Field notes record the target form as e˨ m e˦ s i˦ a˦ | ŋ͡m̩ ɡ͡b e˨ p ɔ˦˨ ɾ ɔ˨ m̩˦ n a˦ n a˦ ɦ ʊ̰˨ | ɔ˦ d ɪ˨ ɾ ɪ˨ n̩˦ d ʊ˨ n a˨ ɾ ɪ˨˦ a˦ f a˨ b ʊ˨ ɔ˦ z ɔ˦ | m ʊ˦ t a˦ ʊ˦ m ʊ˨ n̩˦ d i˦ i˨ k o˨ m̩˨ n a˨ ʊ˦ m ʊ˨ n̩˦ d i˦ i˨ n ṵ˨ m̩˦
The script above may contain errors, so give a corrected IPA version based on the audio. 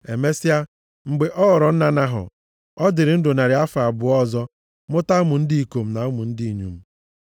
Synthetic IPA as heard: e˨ m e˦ s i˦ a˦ | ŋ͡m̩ ɡ͡b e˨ ʔ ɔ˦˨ ɾ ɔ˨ n̩˦ n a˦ n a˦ ɦ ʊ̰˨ | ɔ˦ d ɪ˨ ɾ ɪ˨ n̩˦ d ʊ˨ n a˨ ɾ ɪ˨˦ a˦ f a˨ b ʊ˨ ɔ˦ z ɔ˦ | m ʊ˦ t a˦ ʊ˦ m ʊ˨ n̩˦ d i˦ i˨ k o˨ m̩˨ n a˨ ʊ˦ m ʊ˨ n̩˦ d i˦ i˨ ɲ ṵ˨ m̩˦

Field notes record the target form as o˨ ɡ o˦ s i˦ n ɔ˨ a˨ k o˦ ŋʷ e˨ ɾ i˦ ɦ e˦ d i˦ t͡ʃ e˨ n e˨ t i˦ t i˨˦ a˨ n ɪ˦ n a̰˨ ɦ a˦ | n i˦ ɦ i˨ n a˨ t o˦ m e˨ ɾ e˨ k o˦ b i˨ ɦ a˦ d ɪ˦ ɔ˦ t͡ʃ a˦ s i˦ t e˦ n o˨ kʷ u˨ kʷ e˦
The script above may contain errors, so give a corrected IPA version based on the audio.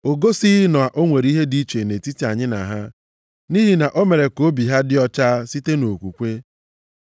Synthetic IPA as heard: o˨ ɡ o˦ s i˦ n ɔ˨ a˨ ʔ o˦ ŋʷ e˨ ɾ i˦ ɦ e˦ d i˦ t͡ʃ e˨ n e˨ t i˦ t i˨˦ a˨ ɲ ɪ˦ n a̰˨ ɦ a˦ | n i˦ ɦ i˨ n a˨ ʔ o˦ m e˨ ɾ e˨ k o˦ b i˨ ɦ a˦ d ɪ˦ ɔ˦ t͡ʃ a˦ s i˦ t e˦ n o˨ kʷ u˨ kʷ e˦

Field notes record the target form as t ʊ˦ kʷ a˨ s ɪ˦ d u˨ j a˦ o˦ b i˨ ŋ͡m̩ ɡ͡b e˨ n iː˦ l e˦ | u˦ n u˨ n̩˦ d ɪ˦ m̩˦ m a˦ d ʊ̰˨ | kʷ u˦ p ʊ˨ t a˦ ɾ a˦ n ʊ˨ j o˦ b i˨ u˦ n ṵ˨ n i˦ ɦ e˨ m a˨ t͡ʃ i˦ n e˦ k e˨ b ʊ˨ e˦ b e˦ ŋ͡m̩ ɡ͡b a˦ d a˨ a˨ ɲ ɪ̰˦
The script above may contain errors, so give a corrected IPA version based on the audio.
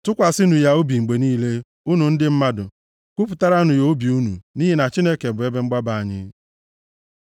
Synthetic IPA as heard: t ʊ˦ kʷ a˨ s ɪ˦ n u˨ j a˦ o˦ b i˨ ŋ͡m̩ ɡ͡b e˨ n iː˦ l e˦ | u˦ n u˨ n̩˦ d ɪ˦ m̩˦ m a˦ d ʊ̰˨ | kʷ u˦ p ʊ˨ t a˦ ɾ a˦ n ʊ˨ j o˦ b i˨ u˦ n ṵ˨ n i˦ ɦ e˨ n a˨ t͡ʃ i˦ n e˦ k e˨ b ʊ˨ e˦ b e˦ ŋ͡m̩ ɡ͡b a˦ b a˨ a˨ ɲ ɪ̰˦

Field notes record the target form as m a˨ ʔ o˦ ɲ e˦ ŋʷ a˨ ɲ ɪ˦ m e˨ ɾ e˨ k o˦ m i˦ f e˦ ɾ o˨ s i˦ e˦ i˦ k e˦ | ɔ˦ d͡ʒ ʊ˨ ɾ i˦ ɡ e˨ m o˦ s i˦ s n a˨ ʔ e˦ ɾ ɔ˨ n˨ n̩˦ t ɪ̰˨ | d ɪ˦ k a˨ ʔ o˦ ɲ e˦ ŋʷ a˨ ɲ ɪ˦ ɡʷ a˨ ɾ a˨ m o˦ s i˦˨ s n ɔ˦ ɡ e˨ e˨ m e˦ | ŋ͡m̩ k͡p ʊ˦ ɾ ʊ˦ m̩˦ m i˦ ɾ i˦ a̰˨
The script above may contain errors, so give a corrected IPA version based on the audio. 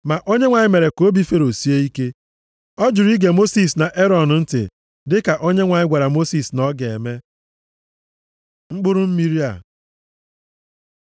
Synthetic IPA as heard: m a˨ ʔ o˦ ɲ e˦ ŋʷ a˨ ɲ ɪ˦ m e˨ ɾ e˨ k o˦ b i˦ f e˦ ɾ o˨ s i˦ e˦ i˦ k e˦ | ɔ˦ d͡ʒ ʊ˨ ɾ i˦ ɡ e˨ m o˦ s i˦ s n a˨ ʔ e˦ ɾ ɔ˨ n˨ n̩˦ t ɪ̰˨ | d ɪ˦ k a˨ ʔ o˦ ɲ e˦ ŋʷ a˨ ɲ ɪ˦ ɡʷ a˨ ɾ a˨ m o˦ s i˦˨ s n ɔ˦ ɡ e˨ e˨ m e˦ | ŋ͡m̩ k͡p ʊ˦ ɾ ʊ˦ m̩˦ m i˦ ɾ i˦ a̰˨

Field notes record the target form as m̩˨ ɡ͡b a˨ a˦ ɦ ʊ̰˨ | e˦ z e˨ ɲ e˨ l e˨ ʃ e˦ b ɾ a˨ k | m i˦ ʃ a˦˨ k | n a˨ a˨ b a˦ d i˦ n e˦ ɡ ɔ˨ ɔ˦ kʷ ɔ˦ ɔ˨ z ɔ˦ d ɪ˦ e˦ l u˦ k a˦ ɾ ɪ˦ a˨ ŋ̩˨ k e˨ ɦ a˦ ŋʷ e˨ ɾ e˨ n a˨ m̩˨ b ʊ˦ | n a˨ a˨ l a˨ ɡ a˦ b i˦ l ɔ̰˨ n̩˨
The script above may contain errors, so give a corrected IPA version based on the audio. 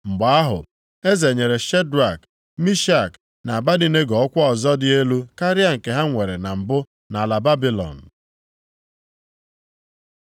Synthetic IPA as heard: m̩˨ ɡ͡b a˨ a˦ ɦ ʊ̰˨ | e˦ z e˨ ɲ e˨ ɾ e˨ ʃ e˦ d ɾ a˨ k | m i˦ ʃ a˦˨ k | n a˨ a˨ b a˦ d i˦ n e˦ ɡ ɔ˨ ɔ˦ kʷ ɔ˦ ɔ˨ z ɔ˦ d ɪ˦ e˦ l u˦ k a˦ ɾ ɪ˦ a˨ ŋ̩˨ k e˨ ɦ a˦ ŋʷ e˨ ɾ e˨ n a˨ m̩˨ b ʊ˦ | n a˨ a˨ l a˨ b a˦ b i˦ l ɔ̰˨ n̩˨

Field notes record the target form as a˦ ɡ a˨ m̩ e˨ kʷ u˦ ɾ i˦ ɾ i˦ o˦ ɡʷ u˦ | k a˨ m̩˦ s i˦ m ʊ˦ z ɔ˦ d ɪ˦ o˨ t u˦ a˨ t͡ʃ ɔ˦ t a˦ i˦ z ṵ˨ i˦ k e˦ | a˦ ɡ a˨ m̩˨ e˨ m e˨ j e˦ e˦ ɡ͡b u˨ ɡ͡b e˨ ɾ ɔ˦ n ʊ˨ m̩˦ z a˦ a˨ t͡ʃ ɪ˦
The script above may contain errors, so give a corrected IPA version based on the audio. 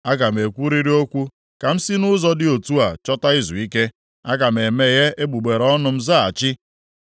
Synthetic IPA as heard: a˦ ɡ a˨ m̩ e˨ kʷ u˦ ɾ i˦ ɾ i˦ o˦ kʷ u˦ | k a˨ m̩˦ s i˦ n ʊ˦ z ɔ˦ d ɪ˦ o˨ t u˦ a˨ t͡ʃ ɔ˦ t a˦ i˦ z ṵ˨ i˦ k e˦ | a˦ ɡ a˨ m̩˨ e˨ m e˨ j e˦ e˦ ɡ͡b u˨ ɡ͡b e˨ ɾ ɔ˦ n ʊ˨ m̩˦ z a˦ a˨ t͡ʃ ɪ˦

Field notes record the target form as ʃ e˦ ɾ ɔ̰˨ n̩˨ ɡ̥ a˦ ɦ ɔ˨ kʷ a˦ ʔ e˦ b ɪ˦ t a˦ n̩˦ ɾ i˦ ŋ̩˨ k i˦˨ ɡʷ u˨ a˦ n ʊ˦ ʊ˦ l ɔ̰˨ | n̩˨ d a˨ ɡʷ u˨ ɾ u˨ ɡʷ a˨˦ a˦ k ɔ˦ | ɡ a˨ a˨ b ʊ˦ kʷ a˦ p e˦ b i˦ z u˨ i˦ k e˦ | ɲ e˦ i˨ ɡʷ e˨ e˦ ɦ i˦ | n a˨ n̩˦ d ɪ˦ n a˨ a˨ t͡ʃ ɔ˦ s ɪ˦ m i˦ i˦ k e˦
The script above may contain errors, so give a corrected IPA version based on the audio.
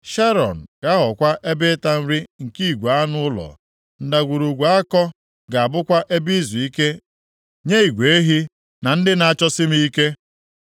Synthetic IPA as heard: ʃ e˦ ɾ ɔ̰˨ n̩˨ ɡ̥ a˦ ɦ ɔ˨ kʷ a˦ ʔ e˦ b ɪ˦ t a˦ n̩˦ ɾ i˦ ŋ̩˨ k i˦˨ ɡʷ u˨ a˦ n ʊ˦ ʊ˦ l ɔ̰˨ | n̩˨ d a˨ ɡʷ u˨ ɾ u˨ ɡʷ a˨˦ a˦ k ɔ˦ | ɡ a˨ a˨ b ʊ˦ kʷ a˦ ʔ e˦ b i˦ z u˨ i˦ k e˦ | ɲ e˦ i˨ ɡʷ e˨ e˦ ɦ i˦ | n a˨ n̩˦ d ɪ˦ n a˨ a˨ t͡ʃ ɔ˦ s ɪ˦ m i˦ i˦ k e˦

